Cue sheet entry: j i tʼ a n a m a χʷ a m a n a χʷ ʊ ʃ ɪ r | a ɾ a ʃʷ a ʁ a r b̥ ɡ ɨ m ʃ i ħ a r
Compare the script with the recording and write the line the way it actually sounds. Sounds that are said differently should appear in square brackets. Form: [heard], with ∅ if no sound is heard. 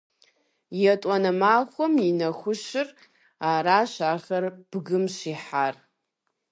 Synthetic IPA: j [a] tʼ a n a m a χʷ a m [i] n a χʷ ʊ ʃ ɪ r | a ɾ a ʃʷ a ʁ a r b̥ ɡ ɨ m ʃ i ħ a r